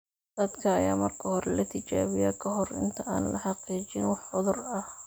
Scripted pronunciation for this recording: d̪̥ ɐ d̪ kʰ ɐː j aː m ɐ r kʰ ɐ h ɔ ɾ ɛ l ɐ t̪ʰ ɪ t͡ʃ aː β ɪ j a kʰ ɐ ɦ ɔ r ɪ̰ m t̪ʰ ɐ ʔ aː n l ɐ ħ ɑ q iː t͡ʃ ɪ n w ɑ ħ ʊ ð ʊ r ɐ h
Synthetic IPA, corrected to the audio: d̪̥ ɐ d̪ kʰ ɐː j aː m ɐ r kʰ ɐ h ɔ ɾ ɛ l ɐ t̪ʰ ɪ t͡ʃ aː β ɪ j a kʰ ɐ ɦ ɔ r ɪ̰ n t̪ʰ ɐ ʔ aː n l ɐ ħ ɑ q iː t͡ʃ ɪ n w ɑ ħ ʊ ð ʊ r ɐ h